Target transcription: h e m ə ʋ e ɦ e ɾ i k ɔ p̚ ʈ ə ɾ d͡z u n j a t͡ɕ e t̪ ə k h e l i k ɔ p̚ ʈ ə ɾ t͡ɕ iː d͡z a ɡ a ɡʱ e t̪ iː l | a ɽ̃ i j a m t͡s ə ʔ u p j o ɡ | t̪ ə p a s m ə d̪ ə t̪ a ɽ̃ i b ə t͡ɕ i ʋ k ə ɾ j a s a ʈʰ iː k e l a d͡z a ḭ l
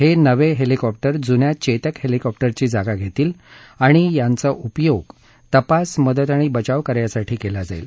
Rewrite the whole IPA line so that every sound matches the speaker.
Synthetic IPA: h e n ə ʋ e ɦ e l i k ɔ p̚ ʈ ə ɾ d͡z u n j a t͡ɕ e t̪ ə k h e l i k ɔ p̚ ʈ ə ɾ t͡ɕ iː d͡z a ɡ a ɡʱ e t̪ iː l | a ɽ̃ i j a n t͡s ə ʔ u p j o ɡ | t̪ ə p a s m ə d̪ ə t̪ a ɽ̃ i b ə t͡ɕ a ʋ k ə ɾ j a s a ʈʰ iː k e l a d͡z a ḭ l

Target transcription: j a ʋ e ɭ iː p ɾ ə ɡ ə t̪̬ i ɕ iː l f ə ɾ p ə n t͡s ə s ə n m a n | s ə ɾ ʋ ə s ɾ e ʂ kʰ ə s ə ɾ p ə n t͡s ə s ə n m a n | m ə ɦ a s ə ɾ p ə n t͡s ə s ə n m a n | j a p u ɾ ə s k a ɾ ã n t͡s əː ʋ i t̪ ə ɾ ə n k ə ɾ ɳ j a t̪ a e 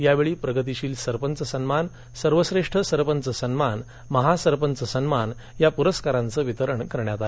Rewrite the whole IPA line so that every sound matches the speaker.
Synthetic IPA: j a ʋ e ɭ iː p ɾ ə ɡ ə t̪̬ i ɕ iː l s ə ɾ p ə n t͡s ə s ə n m a n | s ə ɾ ʋ ə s ɾ e ʂ ʈʰ ə s ə ɾ p ə n t͡s ə s ə n m a n | m ə ɦ a s ə ɾ p ə n t͡s ə s ə n m a n | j a p u ɾ ə s k a ɾ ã n t͡s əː ʋ i t̪ ə ɾ ə ɳ k ə ɾ ɳ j a t̪ a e

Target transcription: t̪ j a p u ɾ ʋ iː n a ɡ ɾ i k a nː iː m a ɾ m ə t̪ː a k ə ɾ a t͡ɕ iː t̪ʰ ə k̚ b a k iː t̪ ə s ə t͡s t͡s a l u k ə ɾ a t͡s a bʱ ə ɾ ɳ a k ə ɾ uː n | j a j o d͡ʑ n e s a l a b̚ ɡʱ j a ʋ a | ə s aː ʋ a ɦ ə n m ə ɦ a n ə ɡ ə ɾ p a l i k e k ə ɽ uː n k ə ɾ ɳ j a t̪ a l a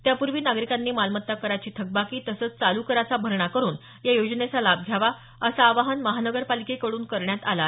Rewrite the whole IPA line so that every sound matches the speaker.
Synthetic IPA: t̪ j a p u ɾ ʋ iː n a ɡ ɾ i k a nː iː m a l m ə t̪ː a k ə ɾ a t͡ɕ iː t̪ʰ ə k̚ b a k iː t̪ ə s ə t͡s t͡s a l u k ə ɾ a t͡s a bʱ ə ɾ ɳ a k ə ɾ uː n | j a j o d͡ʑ n e t͡s a l a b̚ ɡʱ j a ʋ a | ə s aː ʋ a ɦ ə n m ə ɦ a n ə ɡ ə ɾ p a l i k e k ə ɽ uː n k ə ɾ ɳ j a t̪ a l a

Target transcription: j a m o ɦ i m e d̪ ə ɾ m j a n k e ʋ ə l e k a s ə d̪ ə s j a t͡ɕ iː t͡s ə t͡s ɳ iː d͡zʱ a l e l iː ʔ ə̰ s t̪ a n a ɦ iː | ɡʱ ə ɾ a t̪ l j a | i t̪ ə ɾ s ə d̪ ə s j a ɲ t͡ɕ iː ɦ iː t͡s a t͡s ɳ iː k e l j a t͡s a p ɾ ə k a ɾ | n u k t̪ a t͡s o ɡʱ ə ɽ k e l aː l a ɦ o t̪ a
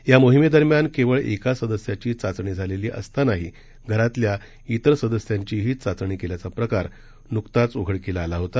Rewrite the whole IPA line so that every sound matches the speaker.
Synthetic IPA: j a m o ɦ i m e d̪ ə ɾ m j a n k e ʋ ə ɭ e k a s ə d̪ ə s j a t͡ɕ iː t͡s a t͡s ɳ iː d͡zʱ a l e l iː ʔ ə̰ s t̪ a n a ɦ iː | ɡʱ ə ɾ a t̪ l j a | i t̪ ə ɾ s ə d̪ ə s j a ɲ t͡ɕ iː ɦ iː t͡s a t͡s ɳ iː k e l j a t͡s a p ɾ ə k a ɾ | n u k t̪ a t͡s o ɡʱ ə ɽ k e l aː l a ɦ o t̪ a

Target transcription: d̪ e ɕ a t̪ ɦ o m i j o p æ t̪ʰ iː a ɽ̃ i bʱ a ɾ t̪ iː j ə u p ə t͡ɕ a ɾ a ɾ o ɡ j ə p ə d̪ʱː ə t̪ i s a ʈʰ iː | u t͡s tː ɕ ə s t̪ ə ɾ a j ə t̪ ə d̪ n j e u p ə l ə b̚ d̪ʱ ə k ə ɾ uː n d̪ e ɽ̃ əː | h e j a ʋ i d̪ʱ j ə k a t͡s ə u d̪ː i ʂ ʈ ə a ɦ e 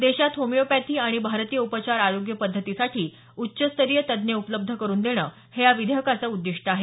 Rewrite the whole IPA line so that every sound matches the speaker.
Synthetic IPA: d̪ e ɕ a t̪ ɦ o m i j o p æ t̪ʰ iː a ɽ̃ i bʱ a ɾ t̪ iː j ə u p ə t͡ɕ a ɾ a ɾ o ɡ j ə p ə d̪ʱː ə t̪ i s a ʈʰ iː | u tː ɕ ə s t̪ ə ɾ i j ə t̪ ə d̪ n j e u p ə l ə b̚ d̪ʱ ə k ə ɾ uː n d̪ e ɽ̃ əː | h e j a ʋ i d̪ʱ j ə k a t͡s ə u d̪ː i ʂ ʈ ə a ɦ e

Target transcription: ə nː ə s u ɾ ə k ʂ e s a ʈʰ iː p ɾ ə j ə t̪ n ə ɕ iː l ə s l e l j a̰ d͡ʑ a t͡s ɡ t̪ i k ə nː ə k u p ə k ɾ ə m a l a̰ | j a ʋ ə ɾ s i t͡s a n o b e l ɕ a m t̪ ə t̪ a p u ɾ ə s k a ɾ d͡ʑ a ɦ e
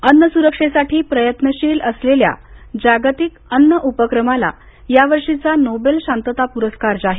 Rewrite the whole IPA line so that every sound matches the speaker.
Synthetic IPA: ə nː ə s u ɾ ə k ʂ e s a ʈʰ iː p ɾ ə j ə t̪ n ə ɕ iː l ə s l e l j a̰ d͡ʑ a ɡ t̪ i k ə nː ə ʔ u p ə k ɾ ə m a l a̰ | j a ʋ ə ɾ ʂ i t͡s a n o b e l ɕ a n t̪ ə t̪ a p u ɾ ə s k a ɾ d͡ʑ a ɦ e

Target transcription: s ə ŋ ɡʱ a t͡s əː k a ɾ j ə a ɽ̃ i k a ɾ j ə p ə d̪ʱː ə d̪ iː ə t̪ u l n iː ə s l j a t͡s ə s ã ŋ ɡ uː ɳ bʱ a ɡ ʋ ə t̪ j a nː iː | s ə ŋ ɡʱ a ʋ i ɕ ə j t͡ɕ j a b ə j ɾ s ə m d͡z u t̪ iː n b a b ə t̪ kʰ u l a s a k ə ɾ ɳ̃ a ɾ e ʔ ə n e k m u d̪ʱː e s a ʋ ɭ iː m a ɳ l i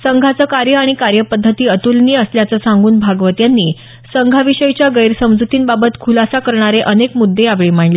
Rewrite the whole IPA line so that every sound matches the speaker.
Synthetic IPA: s ə ŋ ɡʱ a t͡s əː k a ɾ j ə a ɽ̃ i k a ɾ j ə p ə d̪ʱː ə t̪ iː ə t̪ u l n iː ə s l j a t͡s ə s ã ŋ ɡ uː n bʱ a ɡ ʋ ə t̪ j a nː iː | s ə ŋ ɡʱ a ʋ i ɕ ə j t͡ɕ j a ɡ ə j ɾ s ə m d͡z u t̪ iː n b a b ə t̪ kʰ u l a s a k ə ɾ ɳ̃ a ɾ e ʔ ə n e k m u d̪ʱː e a ʋ ɭ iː m a ɳ l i

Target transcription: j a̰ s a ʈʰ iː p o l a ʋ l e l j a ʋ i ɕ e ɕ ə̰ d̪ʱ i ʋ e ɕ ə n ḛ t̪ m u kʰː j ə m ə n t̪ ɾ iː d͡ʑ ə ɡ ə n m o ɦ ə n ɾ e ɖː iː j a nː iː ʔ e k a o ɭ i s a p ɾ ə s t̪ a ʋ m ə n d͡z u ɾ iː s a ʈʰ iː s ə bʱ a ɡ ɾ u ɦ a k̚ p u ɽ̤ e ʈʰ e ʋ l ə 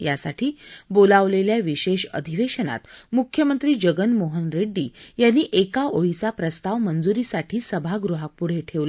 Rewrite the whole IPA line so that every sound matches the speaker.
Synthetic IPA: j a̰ s a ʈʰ iː b o l a ʋ l e l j a ʋ i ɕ e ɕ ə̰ d̪ʱ i ʋ e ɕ ə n a̰ t̪ m u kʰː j ə m ə n t̪ ɾ iː d͡ʑ ə ɡ ə n m o ɦ ə n ɾ e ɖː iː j a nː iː ʔ e k a o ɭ i t͡s a p ɾ ə s t̪ a ʋ m ə n d͡z u ɾ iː s a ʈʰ iː s ə bʱ a ɡ ɾ u ɦ a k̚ p u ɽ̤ e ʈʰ e ʋ l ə

